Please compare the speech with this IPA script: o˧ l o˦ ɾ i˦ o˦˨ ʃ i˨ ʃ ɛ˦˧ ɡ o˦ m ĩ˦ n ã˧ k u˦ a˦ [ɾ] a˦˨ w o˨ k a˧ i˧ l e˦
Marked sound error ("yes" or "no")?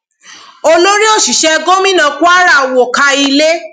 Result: no